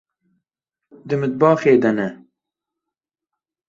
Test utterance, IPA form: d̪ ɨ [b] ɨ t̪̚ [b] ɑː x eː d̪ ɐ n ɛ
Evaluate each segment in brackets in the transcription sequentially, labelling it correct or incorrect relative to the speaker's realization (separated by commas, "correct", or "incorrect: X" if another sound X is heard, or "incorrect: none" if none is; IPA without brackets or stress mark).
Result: incorrect: m, correct